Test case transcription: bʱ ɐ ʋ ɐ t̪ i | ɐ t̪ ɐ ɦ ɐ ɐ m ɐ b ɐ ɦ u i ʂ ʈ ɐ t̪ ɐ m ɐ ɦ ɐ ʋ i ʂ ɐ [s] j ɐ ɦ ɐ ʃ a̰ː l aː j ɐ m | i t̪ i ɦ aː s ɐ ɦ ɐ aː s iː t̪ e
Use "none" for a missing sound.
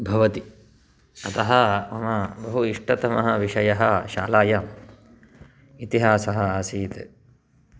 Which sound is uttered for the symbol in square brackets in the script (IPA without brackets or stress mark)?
none